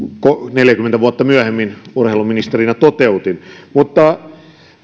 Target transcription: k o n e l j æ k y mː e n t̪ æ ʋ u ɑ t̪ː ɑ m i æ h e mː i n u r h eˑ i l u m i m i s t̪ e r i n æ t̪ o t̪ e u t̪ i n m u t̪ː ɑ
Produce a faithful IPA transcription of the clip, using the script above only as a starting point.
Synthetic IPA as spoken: k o n e l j æ k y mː e n t̪ æ ʋ u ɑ t̪ː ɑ m y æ h e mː i n u r h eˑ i l u m i n i s t̪ e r i n æ t̪ o t̪ e u t̪ i n m u t̪ː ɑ